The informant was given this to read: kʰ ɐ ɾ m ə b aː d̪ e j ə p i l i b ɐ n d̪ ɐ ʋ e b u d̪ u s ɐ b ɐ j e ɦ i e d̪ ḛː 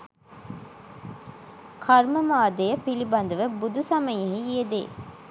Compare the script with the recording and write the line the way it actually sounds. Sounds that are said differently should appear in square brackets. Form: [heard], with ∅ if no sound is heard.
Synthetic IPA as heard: kʰ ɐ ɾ m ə [m] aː d̪ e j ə p i l i b ɐ n d̪ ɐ ʋ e b u d̪ u s ɐ [m] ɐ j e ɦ i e d̪ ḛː